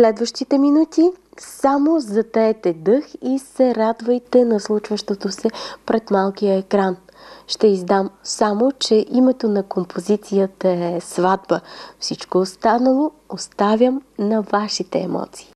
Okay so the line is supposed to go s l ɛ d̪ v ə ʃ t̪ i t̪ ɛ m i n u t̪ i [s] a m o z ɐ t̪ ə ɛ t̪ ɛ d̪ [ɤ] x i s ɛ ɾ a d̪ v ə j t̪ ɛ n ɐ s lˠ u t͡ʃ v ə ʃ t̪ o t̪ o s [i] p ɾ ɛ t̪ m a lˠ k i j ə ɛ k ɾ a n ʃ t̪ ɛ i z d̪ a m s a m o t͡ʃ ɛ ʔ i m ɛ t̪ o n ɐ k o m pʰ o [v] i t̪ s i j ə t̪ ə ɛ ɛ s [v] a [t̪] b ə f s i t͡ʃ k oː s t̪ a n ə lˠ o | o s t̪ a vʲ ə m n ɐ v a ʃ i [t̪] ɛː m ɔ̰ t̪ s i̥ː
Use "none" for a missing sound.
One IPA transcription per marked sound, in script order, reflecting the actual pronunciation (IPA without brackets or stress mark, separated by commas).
s, ɤ, ɛ, z, v, d̪, t̪